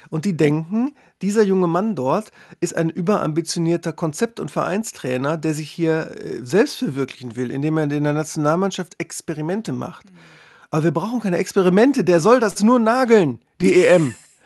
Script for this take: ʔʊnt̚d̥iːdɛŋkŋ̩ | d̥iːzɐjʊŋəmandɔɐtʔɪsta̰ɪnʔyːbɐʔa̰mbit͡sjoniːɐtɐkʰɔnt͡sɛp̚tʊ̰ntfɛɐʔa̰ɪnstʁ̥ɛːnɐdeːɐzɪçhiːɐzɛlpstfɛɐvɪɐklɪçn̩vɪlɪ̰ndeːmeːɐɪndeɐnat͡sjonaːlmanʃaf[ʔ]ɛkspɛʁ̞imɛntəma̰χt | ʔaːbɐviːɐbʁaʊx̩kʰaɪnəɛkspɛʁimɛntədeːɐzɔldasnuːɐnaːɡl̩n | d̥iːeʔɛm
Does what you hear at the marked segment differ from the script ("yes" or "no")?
yes